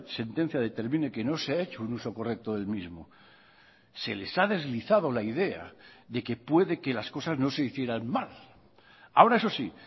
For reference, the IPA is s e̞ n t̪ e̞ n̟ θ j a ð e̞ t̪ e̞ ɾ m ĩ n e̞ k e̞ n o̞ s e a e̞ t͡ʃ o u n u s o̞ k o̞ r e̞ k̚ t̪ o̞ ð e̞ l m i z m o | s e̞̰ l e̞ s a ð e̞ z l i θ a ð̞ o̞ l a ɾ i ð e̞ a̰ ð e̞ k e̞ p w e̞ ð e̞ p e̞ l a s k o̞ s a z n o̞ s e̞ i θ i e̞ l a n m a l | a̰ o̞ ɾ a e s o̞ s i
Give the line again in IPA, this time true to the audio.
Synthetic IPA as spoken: s e̞ n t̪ e̞ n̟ θ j a ð e̞ t̪ e̞ ɾ m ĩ n e̞ k e̞ n o̞ s e a e̞ t͡ʃ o u n u s o̞ k o̞ r e̞ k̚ t̪ o̞ ð e̞ l m i z m o | s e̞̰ l e̞ s a ð e̞ z l i θ a ð̞ o̞ l a i ð e̞ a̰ ð e̞ k e̞ p w e̞ ð e̞ k e̞ l a s k o̞ s a z n o̞ s e̞ i θ j e̞ ɾ a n m a l | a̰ o̞ ɾ a e s o̞ s i